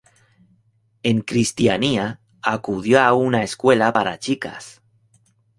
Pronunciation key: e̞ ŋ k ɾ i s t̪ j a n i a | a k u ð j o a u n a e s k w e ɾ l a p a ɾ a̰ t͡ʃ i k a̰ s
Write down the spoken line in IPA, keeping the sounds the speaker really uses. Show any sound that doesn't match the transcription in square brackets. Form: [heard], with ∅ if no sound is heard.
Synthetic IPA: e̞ ŋ k ɾ i s t̪ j a n i a | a k u ð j o a u n a e s k w e [∅] l a p a ɾ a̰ t͡ʃ i k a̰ s